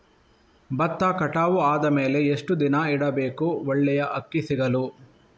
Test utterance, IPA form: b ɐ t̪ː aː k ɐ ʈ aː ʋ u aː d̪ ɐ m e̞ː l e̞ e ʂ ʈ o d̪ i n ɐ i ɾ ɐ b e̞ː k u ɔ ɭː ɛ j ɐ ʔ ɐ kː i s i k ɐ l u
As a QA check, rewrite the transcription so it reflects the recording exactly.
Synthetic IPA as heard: b ɐ t̪ː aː k ɐ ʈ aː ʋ u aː d̪ ɐ m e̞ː l e̞ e ʂ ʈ u d̪ i n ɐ i ɽ ɐ b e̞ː k u ɔ ɭː ɛ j ɐ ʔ ɐ kː i s i ɡ ɐ l u